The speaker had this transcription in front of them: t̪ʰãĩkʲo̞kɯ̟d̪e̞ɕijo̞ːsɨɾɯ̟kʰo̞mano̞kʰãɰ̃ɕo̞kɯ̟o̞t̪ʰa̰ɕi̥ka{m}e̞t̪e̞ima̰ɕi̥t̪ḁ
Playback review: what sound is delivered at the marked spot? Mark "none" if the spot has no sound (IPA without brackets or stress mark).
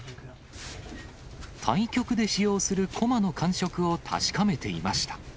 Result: m